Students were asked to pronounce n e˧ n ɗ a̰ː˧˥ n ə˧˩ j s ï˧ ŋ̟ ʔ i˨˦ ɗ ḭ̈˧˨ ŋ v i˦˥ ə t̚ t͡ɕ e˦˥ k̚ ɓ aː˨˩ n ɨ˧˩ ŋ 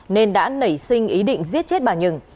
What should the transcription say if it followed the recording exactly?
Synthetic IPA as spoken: n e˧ n ɗ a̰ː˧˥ n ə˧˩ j s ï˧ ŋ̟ ʔ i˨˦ ɗ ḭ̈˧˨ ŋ z i˦˥ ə t̚ t͡ɕ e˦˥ t̚ ɓ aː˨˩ ɲ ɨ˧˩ ŋ